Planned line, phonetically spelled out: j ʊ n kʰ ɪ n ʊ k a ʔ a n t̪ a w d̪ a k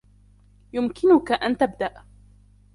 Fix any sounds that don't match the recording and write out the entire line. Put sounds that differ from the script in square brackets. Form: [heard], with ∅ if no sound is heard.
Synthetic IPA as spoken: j ʊ [m] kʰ ɪ n ʊ k a ʔ a n t̪ a [b] d̪ a [ʔ]